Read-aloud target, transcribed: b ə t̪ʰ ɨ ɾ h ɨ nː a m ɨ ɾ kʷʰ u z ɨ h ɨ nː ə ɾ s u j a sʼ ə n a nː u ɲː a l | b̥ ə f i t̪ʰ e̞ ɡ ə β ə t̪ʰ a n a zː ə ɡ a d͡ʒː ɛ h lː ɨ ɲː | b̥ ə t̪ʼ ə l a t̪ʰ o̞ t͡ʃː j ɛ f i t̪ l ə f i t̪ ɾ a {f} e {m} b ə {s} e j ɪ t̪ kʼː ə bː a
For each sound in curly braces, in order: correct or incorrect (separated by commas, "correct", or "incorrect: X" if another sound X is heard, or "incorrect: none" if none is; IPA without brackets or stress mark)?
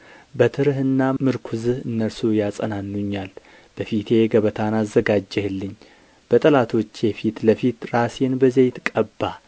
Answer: incorrect: s, incorrect: n, incorrect: z